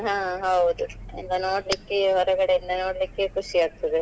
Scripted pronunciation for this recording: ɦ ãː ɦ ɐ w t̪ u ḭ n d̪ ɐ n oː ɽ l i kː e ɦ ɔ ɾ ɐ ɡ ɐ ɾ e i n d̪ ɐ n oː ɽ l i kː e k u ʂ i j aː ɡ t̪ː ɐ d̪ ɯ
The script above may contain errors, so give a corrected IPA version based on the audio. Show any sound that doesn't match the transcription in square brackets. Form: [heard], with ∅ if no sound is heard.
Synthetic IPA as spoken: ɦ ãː ɦ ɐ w [d̪] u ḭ n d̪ ɐ n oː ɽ l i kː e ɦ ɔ ɾ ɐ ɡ ɐ [ɽ] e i n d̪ ɐ n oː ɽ l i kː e k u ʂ i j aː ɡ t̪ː ɐ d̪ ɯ